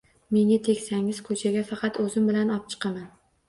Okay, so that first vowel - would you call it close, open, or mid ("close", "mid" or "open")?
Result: mid